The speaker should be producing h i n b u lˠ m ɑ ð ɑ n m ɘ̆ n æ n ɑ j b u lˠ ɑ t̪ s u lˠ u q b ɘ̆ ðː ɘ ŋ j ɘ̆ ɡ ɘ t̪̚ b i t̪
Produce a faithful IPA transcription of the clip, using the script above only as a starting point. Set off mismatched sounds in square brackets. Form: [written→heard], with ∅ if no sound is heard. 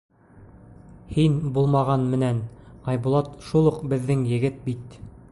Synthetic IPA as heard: h i n b u lˠ m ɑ [ð→ʁ] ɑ n m ɘ̆ n æ n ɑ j b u lˠ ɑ t̪ [s→ʃ] u lˠ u q b ɘ̆ ðː ɘ ŋ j ɘ̆ ɡ ɘ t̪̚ b i t̪